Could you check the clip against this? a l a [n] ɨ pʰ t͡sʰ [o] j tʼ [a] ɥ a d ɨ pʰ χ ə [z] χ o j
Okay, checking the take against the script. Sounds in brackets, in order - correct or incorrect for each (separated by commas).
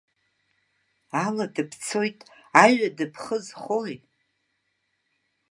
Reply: incorrect, correct, correct, correct